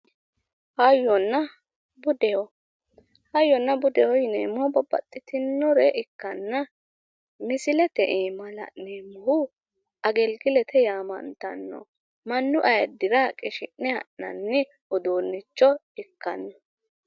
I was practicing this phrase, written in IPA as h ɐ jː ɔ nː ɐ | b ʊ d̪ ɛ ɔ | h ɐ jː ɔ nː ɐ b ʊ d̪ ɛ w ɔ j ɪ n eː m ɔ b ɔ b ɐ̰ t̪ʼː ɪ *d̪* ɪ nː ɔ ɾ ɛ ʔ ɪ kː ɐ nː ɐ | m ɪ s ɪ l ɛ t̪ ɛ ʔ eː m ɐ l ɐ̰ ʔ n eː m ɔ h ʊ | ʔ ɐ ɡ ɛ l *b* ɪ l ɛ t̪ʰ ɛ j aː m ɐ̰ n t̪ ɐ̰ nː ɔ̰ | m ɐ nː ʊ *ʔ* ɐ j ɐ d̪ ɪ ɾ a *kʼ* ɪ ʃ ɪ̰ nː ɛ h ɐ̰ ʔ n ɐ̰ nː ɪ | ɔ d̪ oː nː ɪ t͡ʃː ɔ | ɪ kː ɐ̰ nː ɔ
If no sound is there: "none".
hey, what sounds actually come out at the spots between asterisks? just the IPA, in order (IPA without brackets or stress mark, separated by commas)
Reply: t̪, ɡ, ʔ, kʼ